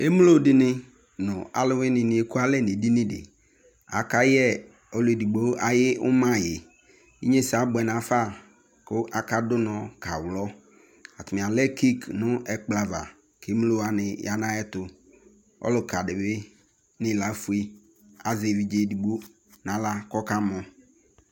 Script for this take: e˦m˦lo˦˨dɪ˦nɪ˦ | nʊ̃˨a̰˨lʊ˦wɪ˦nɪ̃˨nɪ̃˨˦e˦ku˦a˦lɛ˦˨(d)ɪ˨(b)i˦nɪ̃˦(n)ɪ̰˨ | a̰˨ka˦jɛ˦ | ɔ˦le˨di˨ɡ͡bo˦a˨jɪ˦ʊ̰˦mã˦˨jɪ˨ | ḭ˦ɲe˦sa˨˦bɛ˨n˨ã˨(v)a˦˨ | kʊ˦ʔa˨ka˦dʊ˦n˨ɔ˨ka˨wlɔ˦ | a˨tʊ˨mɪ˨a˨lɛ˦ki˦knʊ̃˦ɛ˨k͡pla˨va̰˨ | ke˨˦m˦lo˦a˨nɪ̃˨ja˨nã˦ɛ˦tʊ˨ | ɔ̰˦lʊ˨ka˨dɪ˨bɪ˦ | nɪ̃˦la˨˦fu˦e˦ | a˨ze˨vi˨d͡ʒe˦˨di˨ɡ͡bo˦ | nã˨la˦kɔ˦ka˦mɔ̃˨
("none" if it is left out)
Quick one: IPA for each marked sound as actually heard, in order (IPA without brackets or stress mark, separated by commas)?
n, d, d, f